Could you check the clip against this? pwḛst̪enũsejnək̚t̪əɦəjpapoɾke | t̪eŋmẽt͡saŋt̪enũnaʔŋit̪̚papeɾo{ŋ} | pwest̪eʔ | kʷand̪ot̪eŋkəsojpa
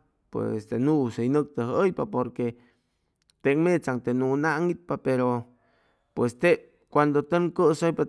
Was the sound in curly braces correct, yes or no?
no